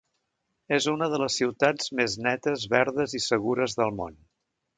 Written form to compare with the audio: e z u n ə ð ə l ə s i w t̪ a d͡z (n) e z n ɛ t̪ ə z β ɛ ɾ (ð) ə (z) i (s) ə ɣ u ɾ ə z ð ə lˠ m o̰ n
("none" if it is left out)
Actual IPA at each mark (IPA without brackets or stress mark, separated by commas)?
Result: m, ð, z, s